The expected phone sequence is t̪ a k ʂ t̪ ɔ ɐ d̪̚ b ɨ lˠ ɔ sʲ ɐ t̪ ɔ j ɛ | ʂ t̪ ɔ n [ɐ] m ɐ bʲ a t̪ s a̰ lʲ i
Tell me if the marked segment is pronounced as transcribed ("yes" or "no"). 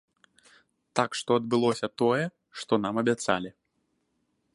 no